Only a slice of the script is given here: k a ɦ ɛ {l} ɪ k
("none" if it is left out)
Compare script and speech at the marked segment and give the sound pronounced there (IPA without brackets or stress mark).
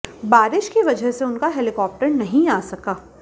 l